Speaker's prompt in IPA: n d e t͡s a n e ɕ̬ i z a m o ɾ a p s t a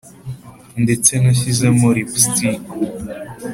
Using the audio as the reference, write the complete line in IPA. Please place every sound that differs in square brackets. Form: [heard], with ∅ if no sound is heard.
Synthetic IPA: n d e t͡s [e] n [a] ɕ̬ i z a m o ɾ [i] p s t [i]